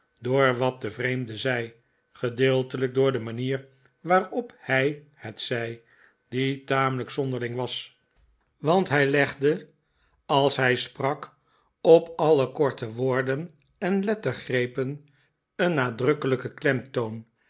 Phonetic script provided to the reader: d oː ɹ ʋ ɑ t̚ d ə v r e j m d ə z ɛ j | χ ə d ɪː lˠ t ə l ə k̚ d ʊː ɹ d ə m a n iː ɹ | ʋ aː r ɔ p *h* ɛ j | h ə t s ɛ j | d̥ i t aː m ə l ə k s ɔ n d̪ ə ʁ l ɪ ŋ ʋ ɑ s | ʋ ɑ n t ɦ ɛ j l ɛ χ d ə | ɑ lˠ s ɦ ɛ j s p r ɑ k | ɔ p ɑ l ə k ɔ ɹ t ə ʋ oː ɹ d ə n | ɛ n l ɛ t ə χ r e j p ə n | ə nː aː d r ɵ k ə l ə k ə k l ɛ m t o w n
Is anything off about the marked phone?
no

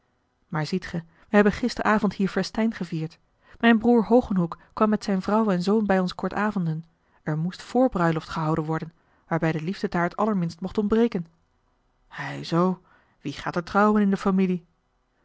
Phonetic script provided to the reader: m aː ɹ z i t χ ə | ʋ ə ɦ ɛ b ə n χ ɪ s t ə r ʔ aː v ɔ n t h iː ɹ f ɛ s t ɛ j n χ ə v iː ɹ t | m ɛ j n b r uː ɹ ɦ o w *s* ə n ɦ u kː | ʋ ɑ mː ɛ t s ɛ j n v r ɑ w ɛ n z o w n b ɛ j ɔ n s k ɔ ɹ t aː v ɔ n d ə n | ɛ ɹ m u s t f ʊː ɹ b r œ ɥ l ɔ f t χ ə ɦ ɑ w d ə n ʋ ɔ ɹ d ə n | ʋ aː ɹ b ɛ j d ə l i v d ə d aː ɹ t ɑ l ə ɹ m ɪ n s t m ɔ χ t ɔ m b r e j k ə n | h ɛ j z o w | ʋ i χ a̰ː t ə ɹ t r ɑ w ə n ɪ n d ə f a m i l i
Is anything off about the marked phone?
yes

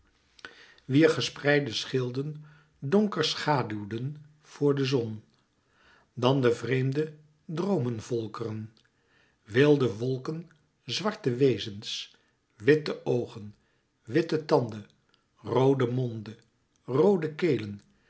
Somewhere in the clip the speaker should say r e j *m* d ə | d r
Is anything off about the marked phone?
no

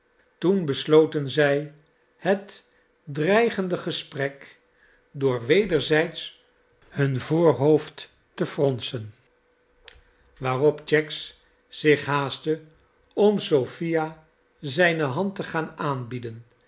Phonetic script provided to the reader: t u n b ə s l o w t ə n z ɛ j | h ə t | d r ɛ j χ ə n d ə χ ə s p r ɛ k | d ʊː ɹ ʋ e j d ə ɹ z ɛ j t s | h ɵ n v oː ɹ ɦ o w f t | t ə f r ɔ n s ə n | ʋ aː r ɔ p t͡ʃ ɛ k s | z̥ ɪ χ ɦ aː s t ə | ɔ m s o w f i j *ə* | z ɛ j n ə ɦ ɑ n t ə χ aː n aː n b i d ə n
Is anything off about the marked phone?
yes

